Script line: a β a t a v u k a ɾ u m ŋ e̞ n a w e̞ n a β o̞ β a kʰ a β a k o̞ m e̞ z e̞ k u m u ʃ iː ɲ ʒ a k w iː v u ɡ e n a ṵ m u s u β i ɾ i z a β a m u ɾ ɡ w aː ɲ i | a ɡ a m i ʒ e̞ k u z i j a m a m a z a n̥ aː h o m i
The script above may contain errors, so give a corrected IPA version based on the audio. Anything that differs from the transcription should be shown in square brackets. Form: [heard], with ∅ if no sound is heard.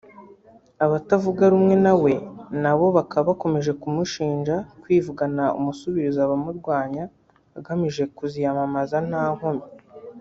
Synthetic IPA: a β a t a v u [ɡ] a ɾ u m ŋ e̞ n a w e̞ n a β o̞ β a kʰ a β a k o̞ m e̞ [ʒ] e̞ k u m u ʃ iː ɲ ʒ a k w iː v u ɡ [a] n a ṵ m u s u β i ɾ i z a β a m u ɾ ɡ w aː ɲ [a] | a ɡ a m i ʒ e̞ k u z i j a m a m a z a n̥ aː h o m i